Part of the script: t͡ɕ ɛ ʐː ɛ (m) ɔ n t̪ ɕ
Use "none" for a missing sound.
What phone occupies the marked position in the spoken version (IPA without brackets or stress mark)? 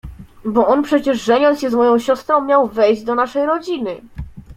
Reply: ɲ